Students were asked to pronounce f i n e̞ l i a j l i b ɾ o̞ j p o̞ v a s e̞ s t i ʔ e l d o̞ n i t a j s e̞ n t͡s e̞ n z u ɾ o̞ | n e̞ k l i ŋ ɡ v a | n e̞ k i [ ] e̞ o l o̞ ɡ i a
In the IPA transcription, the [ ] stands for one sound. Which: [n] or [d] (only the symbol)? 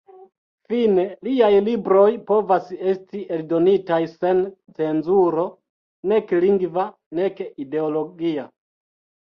d